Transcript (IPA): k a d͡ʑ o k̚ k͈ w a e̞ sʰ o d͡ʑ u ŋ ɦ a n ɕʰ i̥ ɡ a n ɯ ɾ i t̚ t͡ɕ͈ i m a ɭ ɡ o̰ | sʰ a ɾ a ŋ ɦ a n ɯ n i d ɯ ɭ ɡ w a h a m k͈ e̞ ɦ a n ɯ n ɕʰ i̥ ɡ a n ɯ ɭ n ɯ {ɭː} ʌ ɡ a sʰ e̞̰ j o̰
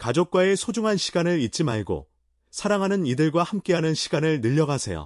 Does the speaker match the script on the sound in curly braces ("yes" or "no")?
no